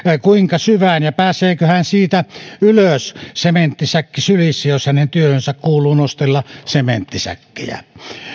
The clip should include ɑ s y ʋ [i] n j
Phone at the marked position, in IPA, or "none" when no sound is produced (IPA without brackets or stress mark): æ